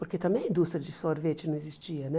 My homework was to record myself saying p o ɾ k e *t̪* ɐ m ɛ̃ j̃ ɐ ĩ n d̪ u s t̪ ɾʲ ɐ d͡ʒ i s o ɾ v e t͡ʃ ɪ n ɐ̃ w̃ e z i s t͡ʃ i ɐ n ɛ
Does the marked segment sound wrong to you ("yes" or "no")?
no